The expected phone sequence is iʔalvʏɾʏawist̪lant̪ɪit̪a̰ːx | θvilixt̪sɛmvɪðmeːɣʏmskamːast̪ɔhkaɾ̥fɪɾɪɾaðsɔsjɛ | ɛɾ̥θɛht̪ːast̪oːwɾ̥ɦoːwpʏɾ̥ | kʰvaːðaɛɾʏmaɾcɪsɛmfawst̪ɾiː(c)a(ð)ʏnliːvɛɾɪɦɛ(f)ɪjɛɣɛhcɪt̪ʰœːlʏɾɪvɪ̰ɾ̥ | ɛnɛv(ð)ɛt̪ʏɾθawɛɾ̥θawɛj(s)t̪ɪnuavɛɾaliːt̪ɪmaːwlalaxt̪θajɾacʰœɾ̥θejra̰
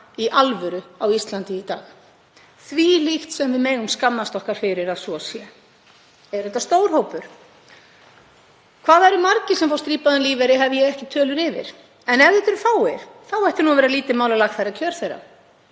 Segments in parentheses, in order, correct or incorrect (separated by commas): incorrect, correct, incorrect, correct, incorrect